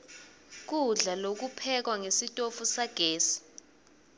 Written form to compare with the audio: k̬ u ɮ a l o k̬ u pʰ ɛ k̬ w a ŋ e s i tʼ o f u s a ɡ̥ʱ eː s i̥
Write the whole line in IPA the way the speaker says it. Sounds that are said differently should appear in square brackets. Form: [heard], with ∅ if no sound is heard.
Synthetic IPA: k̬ u ɮ a l o k̬ u pʰ ɛ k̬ w a ŋ e s i tʼ o f u s a ɡ̥ʱ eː s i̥

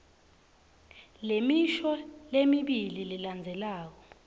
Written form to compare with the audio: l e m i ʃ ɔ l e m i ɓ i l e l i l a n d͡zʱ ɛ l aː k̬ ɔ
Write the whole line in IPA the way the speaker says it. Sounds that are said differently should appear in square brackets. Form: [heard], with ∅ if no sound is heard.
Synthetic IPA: l e m i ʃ ɔ l e m i ɓ i l [i] l i l a n d͡zʱ ɛ l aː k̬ ɔ

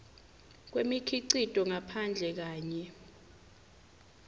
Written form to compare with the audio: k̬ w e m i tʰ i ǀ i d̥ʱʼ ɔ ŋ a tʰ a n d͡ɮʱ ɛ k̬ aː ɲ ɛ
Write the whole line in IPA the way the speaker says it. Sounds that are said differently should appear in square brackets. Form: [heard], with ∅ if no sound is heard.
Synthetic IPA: k̬ w e m i [kʰ] i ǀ i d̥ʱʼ ɔ ŋ a [pʰ] a n d͡ɮʱ ɛ k̬ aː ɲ ɛ

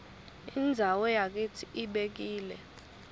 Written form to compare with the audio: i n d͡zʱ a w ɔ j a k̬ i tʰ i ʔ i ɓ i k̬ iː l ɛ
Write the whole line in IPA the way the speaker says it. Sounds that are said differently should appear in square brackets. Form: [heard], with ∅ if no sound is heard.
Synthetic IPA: i n d͡zʱ a w ɔ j a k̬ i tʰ i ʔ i ɓ [e] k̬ iː l ɛ

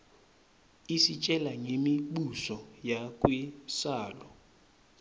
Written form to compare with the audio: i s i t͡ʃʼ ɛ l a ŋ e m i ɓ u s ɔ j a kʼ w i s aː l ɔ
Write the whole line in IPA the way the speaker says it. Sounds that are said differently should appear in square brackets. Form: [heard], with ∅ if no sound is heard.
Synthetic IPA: i s i t͡ʃʼ ɛ l a ŋ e m i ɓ u s ɔ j a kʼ w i s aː l ɔ

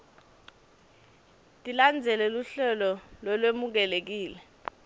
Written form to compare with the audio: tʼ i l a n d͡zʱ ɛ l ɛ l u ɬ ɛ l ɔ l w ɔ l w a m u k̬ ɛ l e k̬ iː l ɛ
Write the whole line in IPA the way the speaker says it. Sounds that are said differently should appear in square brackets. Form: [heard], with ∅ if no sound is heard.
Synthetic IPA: tʼ i l a n d͡zʱ ɛ l ɛ l u ɬ ɛ l ɔ l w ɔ l w [e] m u k̬ ɛ l e k̬ iː l ɛ

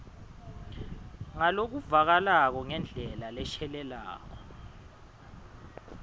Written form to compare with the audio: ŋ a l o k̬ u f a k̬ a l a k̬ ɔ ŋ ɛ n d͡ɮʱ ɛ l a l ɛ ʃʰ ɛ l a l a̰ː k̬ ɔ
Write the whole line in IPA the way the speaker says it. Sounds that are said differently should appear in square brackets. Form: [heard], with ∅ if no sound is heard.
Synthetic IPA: ŋ a l o k̬ u [v] a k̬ a l a k̬ ɔ ŋ ɛ n d͡ɮʱ ɛ l a l ɛ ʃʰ ɛ l [ɛ] l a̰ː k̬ ɔ

